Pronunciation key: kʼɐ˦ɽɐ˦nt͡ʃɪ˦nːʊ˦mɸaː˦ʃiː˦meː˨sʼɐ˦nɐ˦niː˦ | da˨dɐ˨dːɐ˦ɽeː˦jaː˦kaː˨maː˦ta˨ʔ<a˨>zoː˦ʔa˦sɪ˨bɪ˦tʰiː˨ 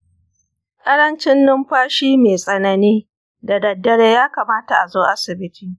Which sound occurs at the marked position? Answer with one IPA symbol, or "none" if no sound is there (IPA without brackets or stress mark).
a˨